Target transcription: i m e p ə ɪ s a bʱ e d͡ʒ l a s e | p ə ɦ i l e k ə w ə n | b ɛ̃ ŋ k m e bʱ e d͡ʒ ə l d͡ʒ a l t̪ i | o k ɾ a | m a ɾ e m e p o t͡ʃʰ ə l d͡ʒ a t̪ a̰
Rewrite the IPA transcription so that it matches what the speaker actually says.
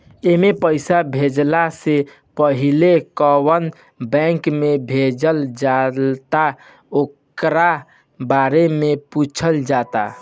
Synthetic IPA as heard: e m e p ə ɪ s a bʱ e d͡ʒ l a s e | p ə ɦ i l e k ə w ə n | b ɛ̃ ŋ k m e bʱ e d͡ʒ ə l d͡ʒ a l t̪ a | o k ɾ a | b a ɾ e m e p u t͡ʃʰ ə l d͡ʒ a t̪ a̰